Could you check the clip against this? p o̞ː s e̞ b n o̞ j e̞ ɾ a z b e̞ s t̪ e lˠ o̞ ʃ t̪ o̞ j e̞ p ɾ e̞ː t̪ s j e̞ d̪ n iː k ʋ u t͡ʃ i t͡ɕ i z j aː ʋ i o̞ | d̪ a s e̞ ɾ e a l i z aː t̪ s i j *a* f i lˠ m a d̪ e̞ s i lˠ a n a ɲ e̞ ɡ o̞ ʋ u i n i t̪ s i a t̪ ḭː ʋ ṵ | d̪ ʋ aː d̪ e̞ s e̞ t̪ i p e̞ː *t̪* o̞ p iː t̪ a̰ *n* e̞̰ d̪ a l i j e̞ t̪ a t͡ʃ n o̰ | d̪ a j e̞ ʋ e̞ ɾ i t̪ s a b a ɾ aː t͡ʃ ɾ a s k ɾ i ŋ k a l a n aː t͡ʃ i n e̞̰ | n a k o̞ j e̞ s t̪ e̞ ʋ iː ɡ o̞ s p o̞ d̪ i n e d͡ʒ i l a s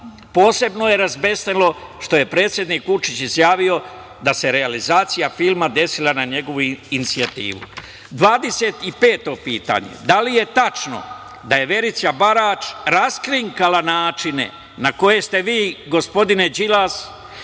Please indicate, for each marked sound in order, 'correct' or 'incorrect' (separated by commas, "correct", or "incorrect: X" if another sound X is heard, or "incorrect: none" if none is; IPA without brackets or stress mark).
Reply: correct, correct, incorrect: ɲ